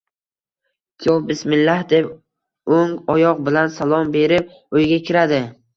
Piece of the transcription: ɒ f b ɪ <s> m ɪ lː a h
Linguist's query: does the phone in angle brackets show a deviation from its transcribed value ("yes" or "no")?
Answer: no